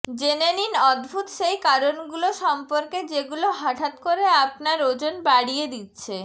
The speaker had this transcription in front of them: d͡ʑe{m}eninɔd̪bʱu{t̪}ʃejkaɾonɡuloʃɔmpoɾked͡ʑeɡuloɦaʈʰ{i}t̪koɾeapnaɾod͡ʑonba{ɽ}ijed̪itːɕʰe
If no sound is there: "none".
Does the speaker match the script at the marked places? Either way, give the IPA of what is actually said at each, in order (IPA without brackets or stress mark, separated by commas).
n, t̪, a, ɽ